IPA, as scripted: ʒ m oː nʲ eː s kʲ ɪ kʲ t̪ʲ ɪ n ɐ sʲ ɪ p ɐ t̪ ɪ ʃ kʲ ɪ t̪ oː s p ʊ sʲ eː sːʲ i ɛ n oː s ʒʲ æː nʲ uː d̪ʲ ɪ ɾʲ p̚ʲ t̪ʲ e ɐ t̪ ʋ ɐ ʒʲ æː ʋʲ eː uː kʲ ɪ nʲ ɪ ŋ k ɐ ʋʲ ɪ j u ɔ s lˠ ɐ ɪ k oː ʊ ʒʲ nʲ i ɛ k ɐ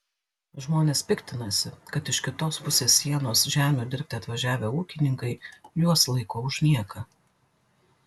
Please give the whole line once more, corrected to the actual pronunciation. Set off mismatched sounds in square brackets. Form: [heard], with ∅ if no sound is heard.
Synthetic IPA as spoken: ʒ m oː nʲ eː s [pʲ] ɪ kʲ t̪ʲ ɪ n ɐ sʲ ɪ [k] ɐ t̪ ɪ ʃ kʲ ɪ t̪ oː s p ʊ sʲ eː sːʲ i ɛ n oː s ʒʲ æː [mʲ] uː d̪ʲ ɪ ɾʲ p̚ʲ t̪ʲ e ɐ t̪ ʋ ɐ ʒʲ æː ʋʲ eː uː kʲ ɪ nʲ ɪ ŋ k ɐ [∅] ɪ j u ɔ s lˠ ɐ ɪ k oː ʊ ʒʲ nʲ i ɛ k ɐ